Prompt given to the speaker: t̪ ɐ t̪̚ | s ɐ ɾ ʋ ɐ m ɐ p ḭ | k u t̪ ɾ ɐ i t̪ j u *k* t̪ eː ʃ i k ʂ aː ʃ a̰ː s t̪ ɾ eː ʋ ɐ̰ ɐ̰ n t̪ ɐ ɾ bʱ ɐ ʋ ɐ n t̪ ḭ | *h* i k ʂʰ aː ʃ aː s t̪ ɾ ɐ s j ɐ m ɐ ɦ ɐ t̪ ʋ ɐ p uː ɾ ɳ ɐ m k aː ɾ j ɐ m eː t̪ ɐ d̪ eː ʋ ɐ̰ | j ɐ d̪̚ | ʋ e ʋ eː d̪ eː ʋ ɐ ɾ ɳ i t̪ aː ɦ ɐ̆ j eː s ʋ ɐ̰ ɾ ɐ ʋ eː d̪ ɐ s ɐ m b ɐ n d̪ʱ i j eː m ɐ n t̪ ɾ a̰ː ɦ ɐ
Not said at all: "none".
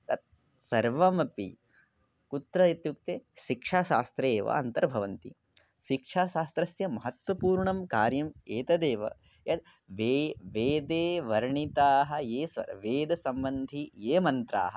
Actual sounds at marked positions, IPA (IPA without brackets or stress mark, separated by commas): k, ʃ